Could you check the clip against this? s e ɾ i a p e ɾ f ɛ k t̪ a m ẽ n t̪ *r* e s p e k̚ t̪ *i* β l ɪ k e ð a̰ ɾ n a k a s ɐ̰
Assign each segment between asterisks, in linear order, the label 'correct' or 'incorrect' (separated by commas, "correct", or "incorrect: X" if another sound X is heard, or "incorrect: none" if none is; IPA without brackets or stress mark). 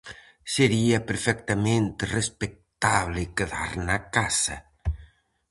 correct, incorrect: a